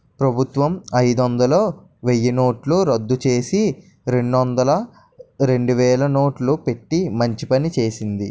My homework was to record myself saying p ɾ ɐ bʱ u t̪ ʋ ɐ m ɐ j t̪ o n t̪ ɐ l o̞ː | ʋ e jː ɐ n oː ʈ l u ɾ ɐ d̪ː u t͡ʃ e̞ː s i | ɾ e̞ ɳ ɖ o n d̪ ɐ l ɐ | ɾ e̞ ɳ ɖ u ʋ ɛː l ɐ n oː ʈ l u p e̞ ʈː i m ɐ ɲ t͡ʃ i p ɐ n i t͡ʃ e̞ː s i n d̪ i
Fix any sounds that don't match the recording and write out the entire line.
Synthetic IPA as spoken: p ɾ ɐ bʱ u t̪ ʋ ɐ m ɐ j d̪ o n d̪ ɐ l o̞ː | ʋ e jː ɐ n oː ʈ l u ɾ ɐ d̪ː u t͡ʃ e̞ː s i | ɾ e̞ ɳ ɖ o n d̪ ɐ l ɐ | ɾ e̞ ɳ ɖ u ʋ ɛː l ɐ n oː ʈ l u p e̞ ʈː i m ɐ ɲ t͡ʃ i p ɐ n i t͡ʃ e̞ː s i n d̪ i